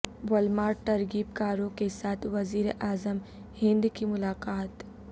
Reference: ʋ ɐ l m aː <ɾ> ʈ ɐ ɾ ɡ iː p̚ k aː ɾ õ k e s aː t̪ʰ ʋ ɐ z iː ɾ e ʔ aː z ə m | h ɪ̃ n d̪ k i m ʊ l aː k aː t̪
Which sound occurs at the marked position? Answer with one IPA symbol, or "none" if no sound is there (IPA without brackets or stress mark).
ɾ